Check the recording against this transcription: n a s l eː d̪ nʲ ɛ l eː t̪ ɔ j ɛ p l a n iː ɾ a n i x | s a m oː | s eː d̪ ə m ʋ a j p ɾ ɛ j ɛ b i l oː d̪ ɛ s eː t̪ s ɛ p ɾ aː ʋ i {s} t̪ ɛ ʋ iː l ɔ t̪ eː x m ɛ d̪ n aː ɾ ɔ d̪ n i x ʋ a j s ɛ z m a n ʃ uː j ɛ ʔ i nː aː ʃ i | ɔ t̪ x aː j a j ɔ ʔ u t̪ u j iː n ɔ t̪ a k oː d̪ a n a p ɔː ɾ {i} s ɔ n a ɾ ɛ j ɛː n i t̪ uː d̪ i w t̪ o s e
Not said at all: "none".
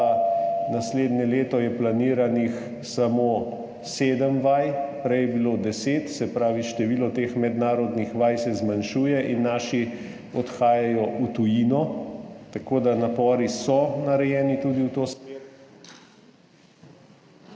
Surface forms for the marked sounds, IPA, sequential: ʃ, i

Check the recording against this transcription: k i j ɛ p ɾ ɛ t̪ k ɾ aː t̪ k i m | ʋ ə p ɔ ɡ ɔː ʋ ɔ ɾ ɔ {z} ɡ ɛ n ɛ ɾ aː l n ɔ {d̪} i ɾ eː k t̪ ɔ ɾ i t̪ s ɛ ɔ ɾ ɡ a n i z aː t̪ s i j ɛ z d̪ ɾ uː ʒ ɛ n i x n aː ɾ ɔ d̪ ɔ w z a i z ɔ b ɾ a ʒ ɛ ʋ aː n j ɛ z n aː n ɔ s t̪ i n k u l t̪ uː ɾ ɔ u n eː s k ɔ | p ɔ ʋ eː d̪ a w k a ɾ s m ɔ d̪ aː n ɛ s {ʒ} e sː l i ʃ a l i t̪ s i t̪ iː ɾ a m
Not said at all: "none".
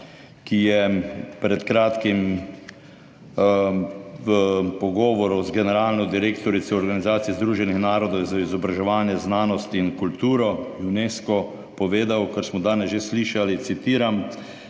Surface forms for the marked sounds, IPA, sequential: z, d̪, ʒ

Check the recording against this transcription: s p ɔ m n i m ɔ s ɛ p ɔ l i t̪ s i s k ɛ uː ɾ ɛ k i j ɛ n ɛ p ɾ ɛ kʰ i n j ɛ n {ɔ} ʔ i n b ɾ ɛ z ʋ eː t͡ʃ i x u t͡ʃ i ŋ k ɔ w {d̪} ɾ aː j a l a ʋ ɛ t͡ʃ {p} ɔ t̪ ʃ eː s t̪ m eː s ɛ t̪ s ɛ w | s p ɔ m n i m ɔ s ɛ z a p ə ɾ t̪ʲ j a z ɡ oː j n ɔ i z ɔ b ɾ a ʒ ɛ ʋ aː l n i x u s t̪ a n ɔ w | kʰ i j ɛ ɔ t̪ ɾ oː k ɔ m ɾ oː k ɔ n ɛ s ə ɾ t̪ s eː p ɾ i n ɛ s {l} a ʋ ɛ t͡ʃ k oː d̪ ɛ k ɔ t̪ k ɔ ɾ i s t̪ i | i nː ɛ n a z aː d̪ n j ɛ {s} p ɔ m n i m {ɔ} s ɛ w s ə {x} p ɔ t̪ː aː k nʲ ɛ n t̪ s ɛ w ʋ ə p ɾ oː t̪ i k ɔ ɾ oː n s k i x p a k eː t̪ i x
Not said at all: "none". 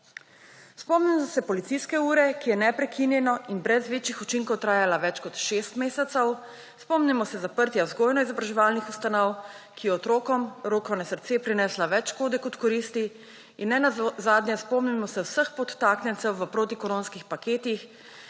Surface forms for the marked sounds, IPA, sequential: ɔ, t̪, k, l, s, ɔ, x

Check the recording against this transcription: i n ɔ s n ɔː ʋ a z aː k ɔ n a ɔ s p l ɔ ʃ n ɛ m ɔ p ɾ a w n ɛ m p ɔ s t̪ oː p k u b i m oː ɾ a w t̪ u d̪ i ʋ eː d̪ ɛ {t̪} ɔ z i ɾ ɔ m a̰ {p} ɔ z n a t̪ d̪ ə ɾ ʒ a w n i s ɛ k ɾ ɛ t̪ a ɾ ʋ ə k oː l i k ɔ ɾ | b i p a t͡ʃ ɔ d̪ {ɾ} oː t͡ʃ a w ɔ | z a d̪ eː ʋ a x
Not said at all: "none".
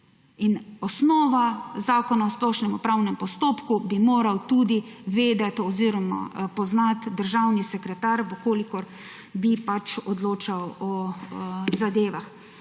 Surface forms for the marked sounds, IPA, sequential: t̪, p, l

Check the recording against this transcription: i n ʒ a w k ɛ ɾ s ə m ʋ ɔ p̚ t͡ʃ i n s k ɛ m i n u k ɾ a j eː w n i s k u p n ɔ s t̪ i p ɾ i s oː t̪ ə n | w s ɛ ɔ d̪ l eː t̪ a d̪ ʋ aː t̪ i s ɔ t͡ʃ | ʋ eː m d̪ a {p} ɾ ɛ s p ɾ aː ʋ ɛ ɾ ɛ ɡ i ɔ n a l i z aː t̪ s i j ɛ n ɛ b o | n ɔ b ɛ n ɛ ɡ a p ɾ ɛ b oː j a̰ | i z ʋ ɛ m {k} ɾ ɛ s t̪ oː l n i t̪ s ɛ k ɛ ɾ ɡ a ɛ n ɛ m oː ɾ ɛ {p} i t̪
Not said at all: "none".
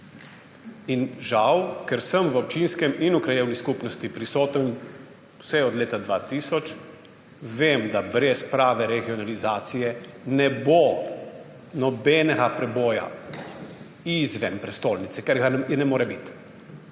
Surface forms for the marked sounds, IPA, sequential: b, p, b

